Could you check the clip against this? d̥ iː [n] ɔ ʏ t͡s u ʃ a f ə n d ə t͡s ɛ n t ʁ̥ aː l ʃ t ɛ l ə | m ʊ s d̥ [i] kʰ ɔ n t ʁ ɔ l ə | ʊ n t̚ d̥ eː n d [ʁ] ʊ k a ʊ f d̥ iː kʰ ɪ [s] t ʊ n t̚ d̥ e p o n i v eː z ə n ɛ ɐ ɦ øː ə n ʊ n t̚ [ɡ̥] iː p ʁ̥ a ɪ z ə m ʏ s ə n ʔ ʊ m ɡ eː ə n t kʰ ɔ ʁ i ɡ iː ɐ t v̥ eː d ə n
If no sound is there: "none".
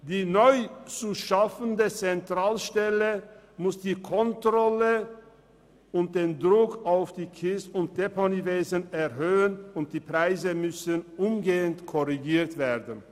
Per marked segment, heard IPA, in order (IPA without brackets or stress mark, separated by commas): n, iː, ʁ, s, d̥